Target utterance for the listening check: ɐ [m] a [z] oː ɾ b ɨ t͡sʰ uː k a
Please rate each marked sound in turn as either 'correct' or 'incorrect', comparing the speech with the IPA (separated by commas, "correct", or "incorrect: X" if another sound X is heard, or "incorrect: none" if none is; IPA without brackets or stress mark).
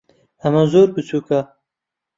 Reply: correct, correct